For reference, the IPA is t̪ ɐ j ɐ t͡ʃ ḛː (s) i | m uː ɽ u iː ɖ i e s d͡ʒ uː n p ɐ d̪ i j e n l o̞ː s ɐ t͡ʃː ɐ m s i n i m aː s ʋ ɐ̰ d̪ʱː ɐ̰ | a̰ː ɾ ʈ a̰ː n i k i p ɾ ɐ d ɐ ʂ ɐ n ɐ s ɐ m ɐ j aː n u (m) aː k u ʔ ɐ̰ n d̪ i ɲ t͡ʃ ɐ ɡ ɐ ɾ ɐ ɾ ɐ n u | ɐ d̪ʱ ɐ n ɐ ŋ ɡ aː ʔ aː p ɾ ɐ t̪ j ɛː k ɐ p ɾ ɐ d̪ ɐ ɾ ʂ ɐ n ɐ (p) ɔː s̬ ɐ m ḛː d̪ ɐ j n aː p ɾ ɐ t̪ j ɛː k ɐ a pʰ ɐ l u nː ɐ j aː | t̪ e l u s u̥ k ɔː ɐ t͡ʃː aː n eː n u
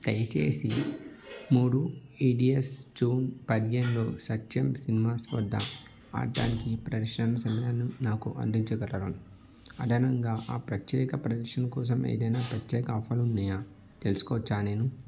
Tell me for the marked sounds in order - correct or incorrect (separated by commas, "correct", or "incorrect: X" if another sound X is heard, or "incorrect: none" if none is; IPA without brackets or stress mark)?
correct, incorrect: n, incorrect: k